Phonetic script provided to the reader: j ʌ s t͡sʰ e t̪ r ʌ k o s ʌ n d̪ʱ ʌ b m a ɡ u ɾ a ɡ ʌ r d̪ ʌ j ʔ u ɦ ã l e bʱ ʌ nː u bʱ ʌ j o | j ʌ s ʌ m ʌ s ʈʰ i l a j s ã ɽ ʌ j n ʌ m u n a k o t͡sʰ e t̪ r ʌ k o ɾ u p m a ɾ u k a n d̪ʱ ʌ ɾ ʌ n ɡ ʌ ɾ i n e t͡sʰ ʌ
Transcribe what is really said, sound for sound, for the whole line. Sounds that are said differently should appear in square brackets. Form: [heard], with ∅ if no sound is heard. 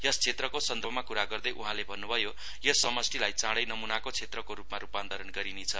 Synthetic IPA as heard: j ʌ s t͡sʰ e t̪ r ʌ k o s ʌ n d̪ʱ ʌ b m a [k] u ɾ a ɡ ʌ r d̪ ʌ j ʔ u ɦ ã l e bʱ ʌ nː u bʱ ʌ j o | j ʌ s ʌ m ʌ s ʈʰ i l a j [t͡s] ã ɽ ʌ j n ʌ m u n a k o t͡sʰ e t̪ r ʌ k o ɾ u p m a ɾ u [p] a n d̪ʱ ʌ ɾ ʌ n ɡ ʌ ɾ i n e t͡sʰ ʌ